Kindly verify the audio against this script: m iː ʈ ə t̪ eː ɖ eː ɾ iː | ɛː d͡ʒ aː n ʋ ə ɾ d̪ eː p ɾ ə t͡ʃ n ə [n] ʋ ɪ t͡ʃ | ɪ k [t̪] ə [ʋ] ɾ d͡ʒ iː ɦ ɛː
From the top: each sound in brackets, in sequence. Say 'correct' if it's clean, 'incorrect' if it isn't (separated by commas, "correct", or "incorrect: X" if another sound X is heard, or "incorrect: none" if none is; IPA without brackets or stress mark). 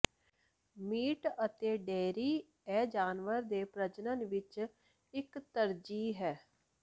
correct, correct, incorrect: none